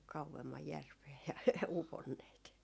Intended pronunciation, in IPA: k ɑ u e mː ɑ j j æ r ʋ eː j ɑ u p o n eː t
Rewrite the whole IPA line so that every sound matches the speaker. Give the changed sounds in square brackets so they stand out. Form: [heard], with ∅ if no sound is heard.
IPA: k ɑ u e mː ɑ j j æ r ʋ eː j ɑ u p o [nː] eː t